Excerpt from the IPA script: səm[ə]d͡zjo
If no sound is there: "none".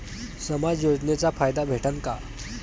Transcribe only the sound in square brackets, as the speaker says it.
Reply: a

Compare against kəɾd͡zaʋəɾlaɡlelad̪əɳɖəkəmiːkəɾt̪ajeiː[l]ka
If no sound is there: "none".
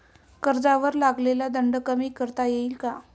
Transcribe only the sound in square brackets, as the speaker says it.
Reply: l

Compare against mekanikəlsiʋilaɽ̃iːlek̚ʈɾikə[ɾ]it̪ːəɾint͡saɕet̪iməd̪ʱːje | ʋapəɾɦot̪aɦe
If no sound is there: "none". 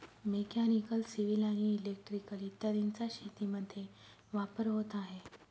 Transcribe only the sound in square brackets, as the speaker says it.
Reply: l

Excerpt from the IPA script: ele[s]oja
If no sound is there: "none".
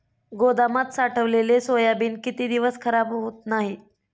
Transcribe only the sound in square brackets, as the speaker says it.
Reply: s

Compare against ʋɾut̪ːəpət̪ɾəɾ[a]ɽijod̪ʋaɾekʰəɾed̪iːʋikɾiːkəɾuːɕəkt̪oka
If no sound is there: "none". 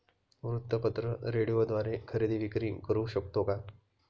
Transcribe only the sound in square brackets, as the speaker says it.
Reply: e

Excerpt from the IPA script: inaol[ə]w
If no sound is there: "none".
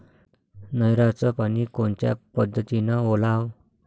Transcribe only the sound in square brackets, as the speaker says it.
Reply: a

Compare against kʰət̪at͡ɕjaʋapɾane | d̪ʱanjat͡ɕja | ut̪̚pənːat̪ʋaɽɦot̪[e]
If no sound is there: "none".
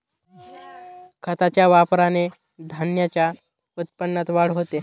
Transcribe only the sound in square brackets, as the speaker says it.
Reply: e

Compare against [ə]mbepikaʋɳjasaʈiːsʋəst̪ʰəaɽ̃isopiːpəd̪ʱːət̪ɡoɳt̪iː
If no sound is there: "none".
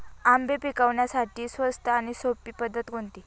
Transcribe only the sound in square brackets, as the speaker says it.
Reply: a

